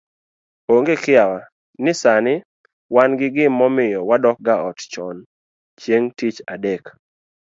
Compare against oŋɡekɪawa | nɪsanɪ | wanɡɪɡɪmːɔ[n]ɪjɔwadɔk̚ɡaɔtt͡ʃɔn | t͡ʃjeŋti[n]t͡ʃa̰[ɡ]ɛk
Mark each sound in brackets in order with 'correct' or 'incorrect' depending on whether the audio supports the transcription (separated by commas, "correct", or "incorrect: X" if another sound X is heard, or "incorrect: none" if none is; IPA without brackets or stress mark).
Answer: incorrect: m, incorrect: none, incorrect: d